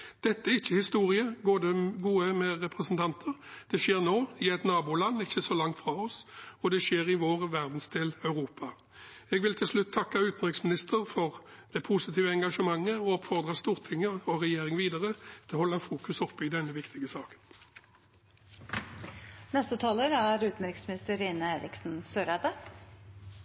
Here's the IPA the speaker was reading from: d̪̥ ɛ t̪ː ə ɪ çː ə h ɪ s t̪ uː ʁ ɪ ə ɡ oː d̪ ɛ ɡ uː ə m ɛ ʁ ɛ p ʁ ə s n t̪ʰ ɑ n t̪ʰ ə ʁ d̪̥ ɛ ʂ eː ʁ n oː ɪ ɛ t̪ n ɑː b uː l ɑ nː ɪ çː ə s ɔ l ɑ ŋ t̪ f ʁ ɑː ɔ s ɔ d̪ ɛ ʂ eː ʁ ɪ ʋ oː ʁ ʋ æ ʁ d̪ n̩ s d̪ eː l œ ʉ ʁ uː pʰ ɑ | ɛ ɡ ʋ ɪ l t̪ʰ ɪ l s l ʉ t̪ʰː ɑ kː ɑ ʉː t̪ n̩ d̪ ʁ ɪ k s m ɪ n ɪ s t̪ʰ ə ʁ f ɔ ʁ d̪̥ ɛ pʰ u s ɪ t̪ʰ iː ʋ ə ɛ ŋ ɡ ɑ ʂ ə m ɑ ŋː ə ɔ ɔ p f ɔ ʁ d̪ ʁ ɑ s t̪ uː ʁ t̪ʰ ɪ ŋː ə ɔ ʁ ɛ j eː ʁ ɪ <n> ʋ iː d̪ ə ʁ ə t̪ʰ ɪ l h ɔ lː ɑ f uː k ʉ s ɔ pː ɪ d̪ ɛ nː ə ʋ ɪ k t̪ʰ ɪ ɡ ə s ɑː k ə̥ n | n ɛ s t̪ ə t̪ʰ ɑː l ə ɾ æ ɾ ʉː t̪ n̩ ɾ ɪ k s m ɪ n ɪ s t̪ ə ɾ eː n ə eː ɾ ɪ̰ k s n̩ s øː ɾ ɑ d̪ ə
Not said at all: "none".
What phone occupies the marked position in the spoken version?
ŋ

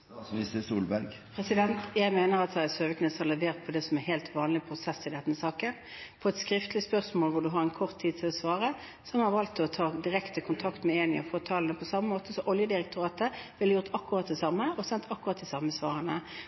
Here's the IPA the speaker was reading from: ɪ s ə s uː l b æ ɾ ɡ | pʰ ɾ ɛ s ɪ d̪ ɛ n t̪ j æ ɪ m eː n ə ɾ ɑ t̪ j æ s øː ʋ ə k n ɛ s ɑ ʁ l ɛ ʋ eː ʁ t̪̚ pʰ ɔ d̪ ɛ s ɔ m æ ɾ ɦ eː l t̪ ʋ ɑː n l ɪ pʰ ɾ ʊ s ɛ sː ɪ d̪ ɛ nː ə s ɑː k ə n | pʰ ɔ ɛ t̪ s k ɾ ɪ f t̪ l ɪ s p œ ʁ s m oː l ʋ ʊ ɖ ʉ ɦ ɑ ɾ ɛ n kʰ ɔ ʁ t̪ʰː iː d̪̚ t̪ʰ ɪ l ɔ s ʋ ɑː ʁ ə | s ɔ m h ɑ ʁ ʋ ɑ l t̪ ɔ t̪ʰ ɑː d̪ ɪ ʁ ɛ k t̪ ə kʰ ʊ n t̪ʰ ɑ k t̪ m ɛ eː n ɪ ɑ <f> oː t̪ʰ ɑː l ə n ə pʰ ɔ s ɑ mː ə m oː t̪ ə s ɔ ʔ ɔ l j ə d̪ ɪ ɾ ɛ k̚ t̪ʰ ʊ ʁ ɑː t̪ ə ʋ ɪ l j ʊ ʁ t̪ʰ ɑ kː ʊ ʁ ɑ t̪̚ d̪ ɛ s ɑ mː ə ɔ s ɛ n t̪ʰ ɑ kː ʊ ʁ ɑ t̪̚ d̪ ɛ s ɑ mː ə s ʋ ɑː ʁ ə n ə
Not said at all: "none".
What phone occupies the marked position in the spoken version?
f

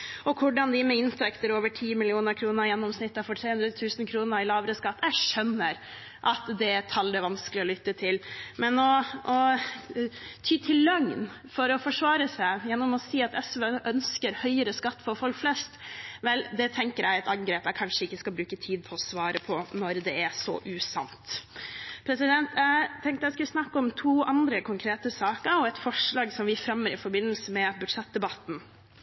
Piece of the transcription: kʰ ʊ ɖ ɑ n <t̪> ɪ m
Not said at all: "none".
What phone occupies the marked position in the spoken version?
d̪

